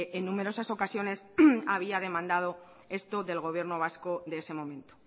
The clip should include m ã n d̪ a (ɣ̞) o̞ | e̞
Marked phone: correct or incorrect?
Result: incorrect